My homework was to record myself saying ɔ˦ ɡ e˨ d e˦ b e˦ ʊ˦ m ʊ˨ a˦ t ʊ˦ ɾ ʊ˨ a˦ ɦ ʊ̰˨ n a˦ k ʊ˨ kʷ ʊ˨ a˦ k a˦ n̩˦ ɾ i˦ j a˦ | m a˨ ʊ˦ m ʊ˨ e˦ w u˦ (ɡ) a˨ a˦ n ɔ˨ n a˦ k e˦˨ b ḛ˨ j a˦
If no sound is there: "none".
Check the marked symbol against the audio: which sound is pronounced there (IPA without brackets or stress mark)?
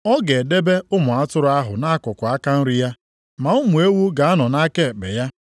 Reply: ɡ